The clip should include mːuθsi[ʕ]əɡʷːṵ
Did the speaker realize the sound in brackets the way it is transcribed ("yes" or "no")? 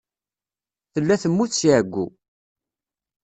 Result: yes